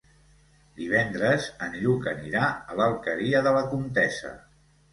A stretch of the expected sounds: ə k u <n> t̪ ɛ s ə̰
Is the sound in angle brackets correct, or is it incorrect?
correct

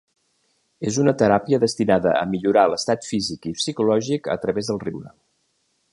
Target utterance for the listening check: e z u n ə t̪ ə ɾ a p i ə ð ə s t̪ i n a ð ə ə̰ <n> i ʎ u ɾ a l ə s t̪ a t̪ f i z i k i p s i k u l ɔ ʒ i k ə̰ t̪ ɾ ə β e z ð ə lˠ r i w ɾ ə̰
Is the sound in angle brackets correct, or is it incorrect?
incorrect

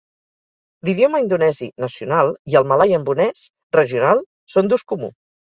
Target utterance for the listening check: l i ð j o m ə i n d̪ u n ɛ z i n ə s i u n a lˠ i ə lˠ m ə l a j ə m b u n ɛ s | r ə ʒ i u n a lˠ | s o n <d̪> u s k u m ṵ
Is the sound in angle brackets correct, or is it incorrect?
correct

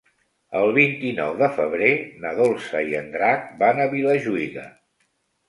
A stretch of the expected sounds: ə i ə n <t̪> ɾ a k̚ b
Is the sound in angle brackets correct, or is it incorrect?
incorrect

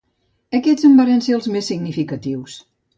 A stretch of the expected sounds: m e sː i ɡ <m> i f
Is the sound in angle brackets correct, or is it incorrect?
incorrect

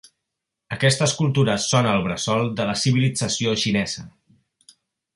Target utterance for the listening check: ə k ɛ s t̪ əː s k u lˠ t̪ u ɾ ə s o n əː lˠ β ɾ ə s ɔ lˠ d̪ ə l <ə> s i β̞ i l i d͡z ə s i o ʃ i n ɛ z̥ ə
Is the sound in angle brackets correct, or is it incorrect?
correct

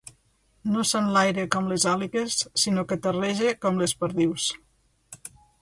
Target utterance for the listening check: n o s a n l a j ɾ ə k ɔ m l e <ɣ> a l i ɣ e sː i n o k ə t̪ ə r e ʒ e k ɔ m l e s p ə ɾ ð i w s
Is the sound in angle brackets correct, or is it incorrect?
incorrect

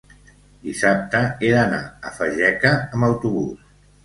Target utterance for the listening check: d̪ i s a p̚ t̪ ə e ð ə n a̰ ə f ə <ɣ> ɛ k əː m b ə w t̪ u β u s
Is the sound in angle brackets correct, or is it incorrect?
incorrect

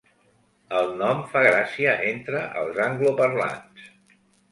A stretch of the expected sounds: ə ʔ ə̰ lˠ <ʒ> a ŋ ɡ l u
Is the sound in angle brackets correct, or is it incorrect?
incorrect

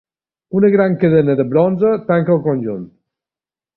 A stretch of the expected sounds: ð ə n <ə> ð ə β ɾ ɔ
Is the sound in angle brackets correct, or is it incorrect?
correct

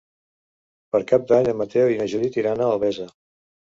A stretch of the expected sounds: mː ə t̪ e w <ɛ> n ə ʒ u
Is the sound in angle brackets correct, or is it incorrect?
incorrect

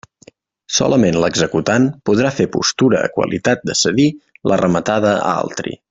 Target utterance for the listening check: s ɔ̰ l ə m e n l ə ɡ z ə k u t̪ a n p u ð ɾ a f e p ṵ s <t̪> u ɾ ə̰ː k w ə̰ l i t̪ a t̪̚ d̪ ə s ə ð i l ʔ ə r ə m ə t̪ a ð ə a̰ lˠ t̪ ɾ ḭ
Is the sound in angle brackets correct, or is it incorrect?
correct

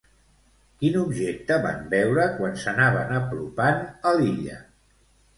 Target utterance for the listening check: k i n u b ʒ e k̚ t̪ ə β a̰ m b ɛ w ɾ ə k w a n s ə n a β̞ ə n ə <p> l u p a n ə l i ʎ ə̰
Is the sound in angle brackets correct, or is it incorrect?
correct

